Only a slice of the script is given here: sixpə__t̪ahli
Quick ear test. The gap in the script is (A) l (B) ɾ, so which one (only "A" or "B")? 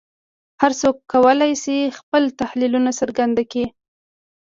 A